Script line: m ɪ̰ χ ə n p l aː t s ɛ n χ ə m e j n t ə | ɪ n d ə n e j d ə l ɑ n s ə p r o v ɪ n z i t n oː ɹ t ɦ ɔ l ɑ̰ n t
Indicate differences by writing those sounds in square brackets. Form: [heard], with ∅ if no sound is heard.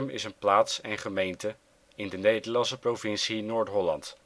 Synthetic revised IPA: m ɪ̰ [s] ə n p l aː t s ɛ n χ ə m e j n t ə | ɪ n d ə n e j d ə l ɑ n s ə p r o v ɪ n [s] i [∅] n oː ɹ t ɦ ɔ l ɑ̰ n t

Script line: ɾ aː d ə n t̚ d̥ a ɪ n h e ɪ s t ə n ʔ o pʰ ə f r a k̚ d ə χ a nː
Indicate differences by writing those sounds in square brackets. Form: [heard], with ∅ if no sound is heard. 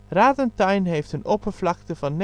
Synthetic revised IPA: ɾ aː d ə n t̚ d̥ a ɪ n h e ɪ [f] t ə n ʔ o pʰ ə f [l] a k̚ [t] ə [f] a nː

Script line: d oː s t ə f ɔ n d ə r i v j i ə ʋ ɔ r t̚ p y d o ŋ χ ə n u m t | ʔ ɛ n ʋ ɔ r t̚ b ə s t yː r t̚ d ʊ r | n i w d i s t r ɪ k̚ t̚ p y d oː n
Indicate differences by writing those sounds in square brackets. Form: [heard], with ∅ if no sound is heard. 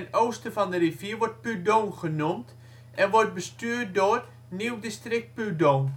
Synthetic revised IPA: [n] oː s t ə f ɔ n d ə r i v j i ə ʋ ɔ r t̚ p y d o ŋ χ ə n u m t | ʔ ɛ n ʋ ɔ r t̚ b ə s t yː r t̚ d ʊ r | n i w d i s t r ɪ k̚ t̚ p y d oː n

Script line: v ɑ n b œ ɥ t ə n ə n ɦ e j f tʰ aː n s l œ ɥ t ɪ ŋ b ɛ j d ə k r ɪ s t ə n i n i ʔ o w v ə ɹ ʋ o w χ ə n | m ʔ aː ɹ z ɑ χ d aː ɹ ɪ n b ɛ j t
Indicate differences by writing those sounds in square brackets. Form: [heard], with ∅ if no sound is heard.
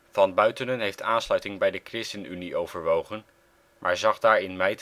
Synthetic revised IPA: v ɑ n b œ ɥ t ə n ə n ɦ e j f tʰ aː n s l œ ɥ t ɪ ŋ b ɛ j d ə k r ɪ s t ə n [y] n i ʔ o w v ə ɹ ʋ o w χ ə n | m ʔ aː ɹ z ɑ χ d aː ɹ ɪ n [m] ɛ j t

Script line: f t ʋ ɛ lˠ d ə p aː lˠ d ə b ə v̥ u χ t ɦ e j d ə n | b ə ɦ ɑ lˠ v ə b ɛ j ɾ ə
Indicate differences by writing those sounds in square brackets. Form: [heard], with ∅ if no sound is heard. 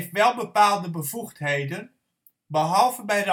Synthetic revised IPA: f t ʋ ɛ lˠ [b] ə p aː lˠ d ə b ə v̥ u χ t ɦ e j d ə n | b ə ɦ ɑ lˠ v ə b ɛ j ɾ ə

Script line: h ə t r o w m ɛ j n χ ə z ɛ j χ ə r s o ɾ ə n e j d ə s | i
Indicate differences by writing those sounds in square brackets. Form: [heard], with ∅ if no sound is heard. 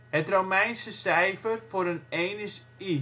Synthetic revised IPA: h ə t r o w m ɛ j n [s] ə [s] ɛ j [f] ə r [f] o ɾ ə n e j [n] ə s | i

